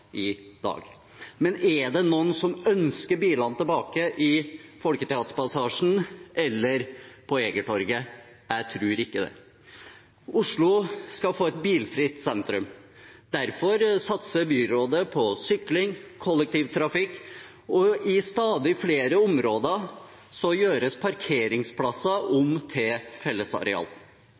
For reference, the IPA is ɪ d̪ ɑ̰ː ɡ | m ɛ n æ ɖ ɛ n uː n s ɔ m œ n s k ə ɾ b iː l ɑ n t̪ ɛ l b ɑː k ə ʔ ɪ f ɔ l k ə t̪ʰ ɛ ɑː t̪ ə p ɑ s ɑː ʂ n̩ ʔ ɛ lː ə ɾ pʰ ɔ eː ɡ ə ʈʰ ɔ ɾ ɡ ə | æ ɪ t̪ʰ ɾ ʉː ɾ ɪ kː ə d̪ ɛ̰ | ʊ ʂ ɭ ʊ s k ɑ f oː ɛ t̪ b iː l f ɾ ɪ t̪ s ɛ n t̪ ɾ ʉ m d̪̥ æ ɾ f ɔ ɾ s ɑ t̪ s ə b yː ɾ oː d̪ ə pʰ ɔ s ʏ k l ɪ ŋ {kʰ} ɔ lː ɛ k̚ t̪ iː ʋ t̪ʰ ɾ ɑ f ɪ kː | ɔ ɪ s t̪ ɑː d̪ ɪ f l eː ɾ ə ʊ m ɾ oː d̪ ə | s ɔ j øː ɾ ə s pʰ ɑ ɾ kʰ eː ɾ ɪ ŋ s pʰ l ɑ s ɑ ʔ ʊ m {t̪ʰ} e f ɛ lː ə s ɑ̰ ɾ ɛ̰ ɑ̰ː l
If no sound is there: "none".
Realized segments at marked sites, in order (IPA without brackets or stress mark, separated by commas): kʰ, t̪ʰ